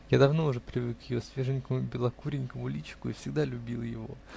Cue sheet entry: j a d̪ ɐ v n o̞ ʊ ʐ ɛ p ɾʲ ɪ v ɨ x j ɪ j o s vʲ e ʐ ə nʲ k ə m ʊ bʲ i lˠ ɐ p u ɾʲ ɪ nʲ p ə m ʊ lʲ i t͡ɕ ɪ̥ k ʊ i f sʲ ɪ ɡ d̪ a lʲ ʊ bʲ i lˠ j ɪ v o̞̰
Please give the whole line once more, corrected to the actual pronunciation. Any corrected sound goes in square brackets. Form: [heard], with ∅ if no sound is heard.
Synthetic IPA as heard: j a d̪ ɐ v n o̞ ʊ ʐ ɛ p ɾʲ ɪ v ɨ [k] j ɪ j o s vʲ e ʐ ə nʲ k ə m ʊ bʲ [ɪ] lˠ ɐ [k] u ɾʲ ɪ nʲ [k] ə m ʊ lʲ i t͡ɕ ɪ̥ k ʊ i f sʲ ɪ ɡ d̪ a lʲ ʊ bʲ i lˠ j ɪ v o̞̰